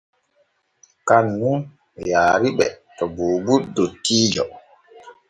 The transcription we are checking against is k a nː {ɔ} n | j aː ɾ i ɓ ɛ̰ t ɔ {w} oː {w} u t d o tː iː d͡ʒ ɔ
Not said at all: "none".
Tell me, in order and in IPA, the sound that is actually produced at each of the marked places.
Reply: u, b, b

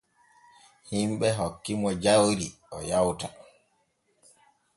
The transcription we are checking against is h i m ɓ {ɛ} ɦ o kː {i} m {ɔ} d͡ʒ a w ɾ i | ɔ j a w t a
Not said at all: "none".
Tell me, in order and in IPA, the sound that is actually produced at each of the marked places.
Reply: ɛ, i, ɔ

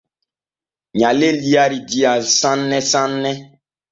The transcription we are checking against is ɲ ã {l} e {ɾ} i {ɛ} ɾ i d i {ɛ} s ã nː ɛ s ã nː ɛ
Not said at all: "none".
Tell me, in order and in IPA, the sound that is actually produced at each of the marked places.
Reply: l, l, a, a

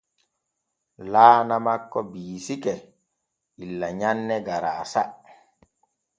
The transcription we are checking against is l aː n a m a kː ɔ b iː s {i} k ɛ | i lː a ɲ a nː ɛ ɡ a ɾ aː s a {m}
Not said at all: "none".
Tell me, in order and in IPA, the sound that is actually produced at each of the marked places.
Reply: i, none

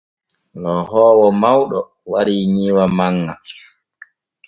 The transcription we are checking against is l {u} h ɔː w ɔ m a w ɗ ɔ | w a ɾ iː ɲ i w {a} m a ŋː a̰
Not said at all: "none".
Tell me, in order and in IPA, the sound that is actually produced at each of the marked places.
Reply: ɔ, a

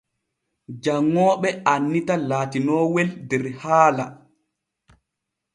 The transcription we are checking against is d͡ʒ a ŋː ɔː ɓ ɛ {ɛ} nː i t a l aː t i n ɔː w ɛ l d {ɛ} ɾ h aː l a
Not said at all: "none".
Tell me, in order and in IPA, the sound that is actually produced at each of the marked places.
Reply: a, ɛ

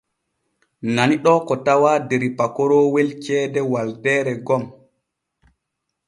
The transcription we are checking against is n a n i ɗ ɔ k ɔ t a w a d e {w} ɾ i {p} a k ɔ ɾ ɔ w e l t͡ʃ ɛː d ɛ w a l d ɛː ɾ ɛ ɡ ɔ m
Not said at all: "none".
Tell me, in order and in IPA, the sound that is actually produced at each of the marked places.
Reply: none, p

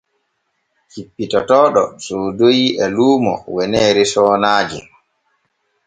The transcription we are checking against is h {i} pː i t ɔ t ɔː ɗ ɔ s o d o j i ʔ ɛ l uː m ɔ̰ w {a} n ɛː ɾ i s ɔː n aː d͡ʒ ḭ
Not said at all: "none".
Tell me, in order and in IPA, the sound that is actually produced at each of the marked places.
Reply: i, ɛ

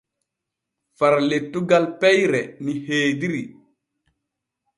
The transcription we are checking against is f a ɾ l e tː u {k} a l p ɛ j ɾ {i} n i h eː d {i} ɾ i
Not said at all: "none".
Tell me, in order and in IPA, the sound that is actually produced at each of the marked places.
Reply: ɡ, ɛ, i

